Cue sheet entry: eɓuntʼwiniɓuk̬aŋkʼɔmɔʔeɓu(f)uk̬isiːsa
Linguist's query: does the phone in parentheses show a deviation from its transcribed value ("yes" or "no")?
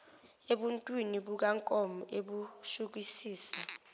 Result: yes